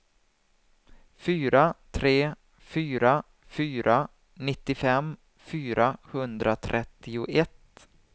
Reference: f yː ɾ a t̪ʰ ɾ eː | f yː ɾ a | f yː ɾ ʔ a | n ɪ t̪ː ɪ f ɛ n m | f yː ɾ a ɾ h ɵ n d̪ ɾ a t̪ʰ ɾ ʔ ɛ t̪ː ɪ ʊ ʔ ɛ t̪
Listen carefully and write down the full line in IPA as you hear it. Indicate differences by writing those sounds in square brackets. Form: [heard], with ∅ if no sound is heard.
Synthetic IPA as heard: f yː ɾ a t̪ʰ ɾ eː | f yː ɾ a | f yː ɾ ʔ a | n ɪ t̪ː ɪ f ɛ [∅] m | f yː ɾ a [∅] h ɵ n d̪ ɾ a t̪ʰ ɾ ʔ ɛ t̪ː ɪ ʊ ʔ ɛ t̪